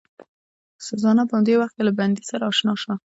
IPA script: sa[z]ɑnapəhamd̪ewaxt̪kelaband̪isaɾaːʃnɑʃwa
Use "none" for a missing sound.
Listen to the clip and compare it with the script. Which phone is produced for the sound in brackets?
z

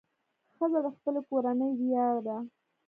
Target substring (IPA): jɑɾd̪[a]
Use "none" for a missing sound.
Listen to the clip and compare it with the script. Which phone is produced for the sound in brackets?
a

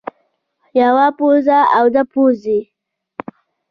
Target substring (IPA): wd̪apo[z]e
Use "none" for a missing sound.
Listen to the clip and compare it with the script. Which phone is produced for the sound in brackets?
z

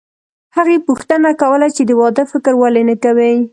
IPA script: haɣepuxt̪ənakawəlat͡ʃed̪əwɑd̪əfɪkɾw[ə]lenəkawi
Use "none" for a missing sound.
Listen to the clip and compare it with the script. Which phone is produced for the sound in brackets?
a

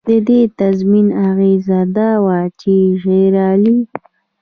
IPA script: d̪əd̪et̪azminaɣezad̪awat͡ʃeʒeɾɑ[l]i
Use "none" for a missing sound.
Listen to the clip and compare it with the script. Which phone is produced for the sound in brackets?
l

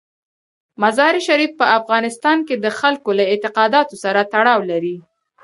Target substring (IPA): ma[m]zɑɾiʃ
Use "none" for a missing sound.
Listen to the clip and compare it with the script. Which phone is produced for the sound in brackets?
none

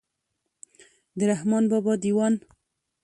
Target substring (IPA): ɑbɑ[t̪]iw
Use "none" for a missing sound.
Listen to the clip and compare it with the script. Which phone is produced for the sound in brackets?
d̪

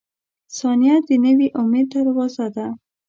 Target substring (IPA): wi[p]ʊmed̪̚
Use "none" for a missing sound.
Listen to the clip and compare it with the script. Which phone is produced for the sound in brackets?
ʔ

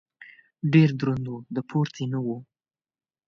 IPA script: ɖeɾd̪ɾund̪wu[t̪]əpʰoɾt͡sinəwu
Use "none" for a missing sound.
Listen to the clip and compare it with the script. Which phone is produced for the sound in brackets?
d̪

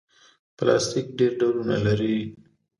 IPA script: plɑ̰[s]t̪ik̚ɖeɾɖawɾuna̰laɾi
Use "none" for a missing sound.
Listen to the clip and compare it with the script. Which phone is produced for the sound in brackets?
s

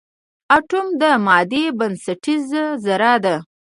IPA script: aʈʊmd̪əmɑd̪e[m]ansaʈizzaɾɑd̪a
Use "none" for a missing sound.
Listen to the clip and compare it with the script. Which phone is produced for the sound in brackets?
b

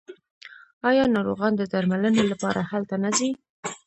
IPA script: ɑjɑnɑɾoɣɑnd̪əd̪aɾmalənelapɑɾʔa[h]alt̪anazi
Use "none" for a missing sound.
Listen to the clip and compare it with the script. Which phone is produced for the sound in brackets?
h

